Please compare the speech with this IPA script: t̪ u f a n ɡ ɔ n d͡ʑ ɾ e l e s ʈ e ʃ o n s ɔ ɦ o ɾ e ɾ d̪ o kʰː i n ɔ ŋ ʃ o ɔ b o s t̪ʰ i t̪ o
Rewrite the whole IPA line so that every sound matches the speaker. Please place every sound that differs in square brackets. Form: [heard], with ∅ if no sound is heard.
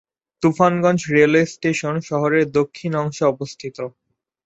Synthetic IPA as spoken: t̪ u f a n ɡ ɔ n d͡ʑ ɾ e l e s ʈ e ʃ o n [ʃ] ɔ ɦ o ɾ e ɾ d̪ o kʰː i n ɔ ŋ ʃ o ɔ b o s t̪ʰ i t̪ o